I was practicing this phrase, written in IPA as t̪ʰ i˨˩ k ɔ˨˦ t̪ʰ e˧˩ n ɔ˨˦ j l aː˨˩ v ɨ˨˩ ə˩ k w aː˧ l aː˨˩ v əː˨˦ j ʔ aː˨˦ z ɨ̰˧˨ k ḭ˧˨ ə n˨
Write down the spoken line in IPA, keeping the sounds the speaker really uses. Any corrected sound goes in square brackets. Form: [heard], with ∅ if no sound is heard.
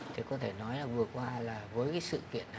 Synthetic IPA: t̪ʰ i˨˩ k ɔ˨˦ t̪ʰ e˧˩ n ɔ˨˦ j l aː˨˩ v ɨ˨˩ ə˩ k w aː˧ l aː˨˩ v əː˨˦ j [k] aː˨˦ [s] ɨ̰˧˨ k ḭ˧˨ ə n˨